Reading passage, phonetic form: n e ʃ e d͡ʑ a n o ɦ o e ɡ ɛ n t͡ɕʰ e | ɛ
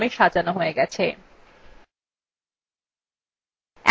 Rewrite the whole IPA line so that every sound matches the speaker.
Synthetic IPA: m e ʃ a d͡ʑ a n o ɦ o e ɡ ɛ t͡ɕʰ e | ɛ